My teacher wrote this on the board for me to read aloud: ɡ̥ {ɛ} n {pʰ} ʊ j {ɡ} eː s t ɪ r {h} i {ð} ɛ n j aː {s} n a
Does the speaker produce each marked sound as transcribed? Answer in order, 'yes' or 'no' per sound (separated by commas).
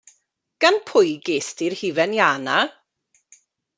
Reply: no, yes, yes, yes, no, no